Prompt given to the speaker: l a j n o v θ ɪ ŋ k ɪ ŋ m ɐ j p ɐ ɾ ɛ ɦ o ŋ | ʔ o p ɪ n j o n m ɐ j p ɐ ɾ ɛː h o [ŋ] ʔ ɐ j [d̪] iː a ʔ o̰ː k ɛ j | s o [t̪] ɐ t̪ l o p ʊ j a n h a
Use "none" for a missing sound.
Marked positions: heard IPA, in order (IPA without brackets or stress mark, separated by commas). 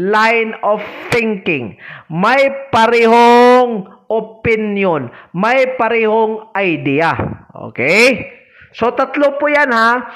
ŋ, d̪, t̪